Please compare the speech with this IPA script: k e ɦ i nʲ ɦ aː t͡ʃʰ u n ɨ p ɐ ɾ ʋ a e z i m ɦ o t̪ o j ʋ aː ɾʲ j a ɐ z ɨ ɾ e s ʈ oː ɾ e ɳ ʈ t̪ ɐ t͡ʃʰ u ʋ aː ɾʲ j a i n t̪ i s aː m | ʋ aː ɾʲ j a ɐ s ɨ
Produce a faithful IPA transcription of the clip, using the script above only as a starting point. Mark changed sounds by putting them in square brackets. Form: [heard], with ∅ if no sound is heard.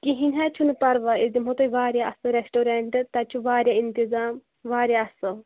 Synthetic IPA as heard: k [i] ɦ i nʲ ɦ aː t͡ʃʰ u n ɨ p ɐ ɾ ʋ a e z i m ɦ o t̪ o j ʋ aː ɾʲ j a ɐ [s] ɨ ɾ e s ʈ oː ɾ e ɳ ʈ t̪ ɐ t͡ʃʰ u ʋ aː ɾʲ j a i n t̪ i [z] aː m | ʋ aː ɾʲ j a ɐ s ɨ